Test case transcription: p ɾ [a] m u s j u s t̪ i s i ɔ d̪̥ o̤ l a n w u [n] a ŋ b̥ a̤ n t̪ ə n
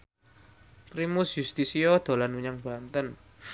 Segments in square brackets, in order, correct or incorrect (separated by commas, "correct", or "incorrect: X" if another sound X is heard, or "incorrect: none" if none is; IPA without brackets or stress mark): incorrect: i, incorrect: ɲ